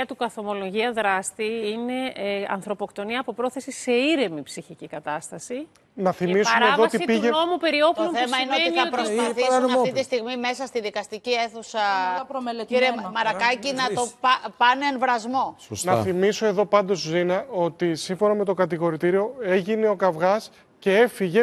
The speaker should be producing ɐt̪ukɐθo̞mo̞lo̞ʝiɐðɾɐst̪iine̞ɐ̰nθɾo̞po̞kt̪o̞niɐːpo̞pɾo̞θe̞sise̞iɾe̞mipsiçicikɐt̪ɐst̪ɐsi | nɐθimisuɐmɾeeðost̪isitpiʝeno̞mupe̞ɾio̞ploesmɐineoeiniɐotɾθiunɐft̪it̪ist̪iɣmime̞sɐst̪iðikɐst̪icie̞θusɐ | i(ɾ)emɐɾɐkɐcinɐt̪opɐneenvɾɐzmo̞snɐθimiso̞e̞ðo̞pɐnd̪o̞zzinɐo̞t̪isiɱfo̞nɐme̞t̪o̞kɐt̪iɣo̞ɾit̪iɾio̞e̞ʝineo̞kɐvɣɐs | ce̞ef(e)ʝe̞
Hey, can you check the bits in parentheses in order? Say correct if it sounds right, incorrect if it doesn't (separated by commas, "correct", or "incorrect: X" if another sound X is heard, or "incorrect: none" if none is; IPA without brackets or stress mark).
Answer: correct, incorrect: i